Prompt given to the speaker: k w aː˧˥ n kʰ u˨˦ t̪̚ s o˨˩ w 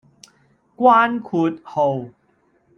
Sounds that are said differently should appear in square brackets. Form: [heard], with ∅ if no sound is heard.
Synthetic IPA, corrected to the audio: k w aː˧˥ n kʰ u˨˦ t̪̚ [h] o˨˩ w